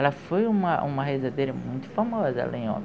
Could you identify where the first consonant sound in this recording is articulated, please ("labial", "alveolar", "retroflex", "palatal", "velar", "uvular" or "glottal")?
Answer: alveolar